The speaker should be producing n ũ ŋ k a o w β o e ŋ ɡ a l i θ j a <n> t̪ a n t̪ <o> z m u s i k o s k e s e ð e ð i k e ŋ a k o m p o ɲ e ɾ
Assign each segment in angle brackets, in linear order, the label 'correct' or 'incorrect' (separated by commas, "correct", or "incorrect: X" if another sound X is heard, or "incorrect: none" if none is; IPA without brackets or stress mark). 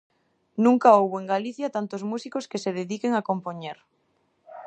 incorrect: none, correct